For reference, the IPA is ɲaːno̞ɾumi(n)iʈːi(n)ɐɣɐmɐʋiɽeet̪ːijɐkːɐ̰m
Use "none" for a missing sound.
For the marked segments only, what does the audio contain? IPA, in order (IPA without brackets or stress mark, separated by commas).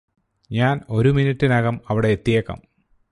n, n